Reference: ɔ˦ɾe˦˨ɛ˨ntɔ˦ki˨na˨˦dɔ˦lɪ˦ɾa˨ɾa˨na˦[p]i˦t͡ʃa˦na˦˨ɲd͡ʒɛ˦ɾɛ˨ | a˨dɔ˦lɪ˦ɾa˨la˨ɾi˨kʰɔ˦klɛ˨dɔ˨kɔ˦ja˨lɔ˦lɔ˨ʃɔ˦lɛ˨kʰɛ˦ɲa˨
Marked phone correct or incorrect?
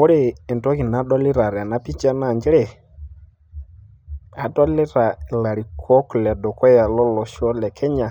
correct